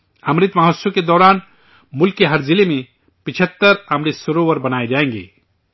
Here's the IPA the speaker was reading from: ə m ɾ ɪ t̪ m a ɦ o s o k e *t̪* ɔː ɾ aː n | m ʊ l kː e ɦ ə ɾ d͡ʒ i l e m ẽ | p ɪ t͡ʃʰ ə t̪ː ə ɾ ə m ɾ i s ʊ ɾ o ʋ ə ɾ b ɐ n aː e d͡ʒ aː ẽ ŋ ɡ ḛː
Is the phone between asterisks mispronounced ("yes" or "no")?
yes